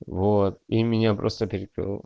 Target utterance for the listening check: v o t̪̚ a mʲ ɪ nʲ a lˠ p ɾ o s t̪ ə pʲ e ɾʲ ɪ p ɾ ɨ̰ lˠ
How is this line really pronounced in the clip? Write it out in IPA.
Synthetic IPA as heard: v o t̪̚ i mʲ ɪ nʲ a p ɾ o s t̪ ə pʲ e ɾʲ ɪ k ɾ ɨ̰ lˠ